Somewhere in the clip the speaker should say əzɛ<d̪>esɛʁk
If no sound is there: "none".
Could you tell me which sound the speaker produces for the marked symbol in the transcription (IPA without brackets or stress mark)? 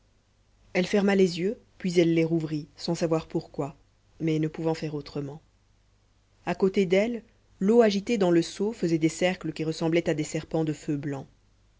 d̪